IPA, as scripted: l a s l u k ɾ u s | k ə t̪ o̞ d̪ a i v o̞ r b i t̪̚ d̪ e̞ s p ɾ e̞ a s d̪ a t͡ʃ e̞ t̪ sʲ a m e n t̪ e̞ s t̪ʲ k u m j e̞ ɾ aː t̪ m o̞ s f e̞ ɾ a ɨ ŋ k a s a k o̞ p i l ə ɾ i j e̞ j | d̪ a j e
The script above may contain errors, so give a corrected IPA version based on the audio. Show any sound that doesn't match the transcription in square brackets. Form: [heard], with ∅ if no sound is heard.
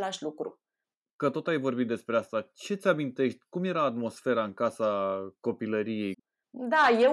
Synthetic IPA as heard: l a [ʃ] l u k ɾ u [∅] | k ə t̪ o̞ [t̪] a [j] v o̞ r b i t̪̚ d̪ e̞ s p ɾ e̞ a s [t̪] a t͡ʃ e̞ t̪ sʲ a m [i] n t̪ e̞ [ʃ] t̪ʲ k u m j e̞ ɾ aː t̪ m o̞ s f e̞ ɾ a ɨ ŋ k a s a k o̞ p i l ə ɾ i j e̞ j | d̪ a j e